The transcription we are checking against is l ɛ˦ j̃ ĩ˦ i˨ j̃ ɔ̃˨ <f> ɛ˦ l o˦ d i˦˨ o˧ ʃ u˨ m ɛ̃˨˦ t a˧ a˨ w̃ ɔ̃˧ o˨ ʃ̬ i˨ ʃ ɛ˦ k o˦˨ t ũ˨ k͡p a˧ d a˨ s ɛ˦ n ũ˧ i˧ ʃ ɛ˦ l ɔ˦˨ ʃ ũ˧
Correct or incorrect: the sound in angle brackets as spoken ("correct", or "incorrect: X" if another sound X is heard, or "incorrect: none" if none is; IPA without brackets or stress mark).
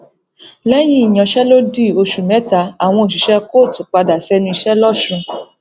incorrect: ʃ